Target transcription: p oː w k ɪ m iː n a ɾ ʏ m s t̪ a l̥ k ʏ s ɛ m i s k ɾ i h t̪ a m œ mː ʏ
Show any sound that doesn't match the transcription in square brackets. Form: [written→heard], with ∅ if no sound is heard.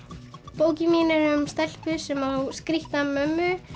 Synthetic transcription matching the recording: p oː w [k→c] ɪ m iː n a ɾ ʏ m s t̪ [a→ɛ] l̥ [k→p] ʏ s ɛ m [i→a] s k ɾ i h t̪ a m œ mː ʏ